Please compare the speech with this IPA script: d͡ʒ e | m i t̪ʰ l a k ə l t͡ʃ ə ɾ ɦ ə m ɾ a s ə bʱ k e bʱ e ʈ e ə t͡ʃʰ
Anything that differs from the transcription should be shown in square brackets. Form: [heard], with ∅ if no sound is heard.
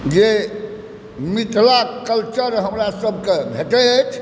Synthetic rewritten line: d͡ʒ e | m i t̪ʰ l a k ə l t͡ʃ ə ɾ ɦ ə m ɾ a s ə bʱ k e bʱ e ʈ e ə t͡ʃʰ

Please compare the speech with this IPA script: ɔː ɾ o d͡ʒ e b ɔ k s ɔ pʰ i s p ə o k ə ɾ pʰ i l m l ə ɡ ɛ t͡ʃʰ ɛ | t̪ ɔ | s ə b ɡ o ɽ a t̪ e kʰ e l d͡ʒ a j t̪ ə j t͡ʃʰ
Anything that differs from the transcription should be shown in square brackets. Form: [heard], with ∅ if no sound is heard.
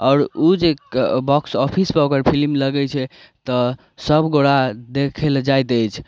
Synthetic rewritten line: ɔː ɾ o d͡ʒ e b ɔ k s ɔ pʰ i s p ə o k ə ɾ pʰ i l m l ə ɡ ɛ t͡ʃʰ ɛ | t̪ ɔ | s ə b ɡ o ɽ a [d̪] e kʰ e l d͡ʒ a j t̪ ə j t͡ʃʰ

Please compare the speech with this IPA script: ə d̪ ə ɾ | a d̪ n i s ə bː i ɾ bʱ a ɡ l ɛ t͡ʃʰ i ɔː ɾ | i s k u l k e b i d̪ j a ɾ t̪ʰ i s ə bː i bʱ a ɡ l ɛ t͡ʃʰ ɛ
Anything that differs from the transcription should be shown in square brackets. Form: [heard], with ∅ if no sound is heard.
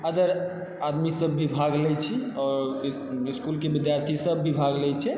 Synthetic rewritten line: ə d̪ ə ɾ | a d̪ [m] i s ə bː i [∅] bʱ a ɡ l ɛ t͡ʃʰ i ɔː ɾ | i s k u l k e b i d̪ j a ɾ t̪ʰ i s ə bː i bʱ a ɡ l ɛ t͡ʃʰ ɛ

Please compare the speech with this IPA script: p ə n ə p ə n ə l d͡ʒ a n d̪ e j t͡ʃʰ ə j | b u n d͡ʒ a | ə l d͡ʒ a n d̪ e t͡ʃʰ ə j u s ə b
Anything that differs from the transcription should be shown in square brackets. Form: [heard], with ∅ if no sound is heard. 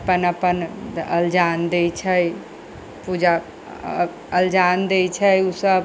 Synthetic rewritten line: p ə n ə p ə n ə l d͡ʒ a n d̪ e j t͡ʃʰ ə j | [p] u [∅] d͡ʒ a | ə l d͡ʒ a n d̪ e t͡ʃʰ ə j u s ə b

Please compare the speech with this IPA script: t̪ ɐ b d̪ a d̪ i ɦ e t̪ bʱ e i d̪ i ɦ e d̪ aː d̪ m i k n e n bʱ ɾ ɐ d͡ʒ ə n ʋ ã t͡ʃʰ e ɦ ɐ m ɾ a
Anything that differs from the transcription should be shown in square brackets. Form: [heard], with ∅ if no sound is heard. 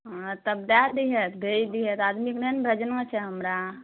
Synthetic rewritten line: t̪ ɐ b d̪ a d̪ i ɦ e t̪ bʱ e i d̪ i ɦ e [t̪] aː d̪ m i k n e n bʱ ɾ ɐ d͡ʒ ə n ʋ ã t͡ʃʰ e ɦ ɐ m ɾ a

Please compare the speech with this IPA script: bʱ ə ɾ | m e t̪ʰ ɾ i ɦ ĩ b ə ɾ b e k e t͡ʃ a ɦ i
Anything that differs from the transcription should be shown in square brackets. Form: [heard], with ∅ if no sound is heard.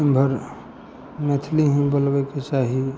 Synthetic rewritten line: bʱ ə ɾ | m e t̪ʰ [l] i ɦ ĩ b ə [l] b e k e t͡ʃ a ɦ i

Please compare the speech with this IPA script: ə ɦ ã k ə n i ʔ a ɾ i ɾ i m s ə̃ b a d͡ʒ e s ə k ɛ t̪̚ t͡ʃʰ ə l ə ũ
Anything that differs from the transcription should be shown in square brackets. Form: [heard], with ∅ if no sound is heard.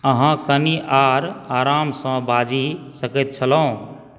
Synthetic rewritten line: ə ɦ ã k ə n i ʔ a ɾ [a] ɾ [a] m s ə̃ b a d͡ʒ [i] s ə k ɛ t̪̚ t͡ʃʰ ə l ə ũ

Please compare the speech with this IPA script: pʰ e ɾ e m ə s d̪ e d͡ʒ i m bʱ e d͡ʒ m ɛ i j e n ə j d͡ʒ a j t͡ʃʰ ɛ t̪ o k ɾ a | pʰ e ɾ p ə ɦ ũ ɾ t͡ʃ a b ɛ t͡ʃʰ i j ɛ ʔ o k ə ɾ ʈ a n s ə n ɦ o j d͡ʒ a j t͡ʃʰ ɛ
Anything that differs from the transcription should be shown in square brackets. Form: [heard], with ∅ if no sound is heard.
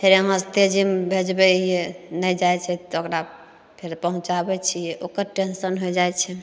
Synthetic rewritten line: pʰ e ɾ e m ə s [t̪] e d͡ʒ i m bʱ e d͡ʒ [b] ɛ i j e n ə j d͡ʒ a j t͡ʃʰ ɛ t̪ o k ɾ a | pʰ e ɾ p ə ɦ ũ [∅] t͡ʃ a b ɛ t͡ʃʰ i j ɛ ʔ o k ə ɾ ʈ [e] n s ə n ɦ o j d͡ʒ a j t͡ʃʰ ɛ

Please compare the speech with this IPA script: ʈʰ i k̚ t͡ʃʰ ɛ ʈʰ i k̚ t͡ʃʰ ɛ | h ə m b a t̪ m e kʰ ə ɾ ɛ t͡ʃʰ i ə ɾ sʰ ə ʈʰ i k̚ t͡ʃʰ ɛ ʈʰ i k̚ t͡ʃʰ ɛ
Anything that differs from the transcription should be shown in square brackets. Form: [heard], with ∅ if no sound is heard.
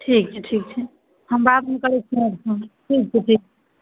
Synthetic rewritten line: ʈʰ i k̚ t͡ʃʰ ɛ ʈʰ i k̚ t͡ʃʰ ɛ | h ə m b a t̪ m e [k] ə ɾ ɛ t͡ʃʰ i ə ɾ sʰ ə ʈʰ i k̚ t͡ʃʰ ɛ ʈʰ i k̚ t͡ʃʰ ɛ

